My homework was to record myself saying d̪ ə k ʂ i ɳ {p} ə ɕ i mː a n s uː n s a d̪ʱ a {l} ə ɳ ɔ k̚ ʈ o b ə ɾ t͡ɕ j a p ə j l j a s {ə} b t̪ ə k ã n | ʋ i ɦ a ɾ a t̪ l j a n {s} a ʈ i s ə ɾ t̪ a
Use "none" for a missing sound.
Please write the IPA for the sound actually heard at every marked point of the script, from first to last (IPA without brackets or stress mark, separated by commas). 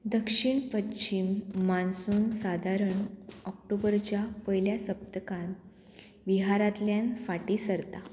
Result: p, ɾ, ə, f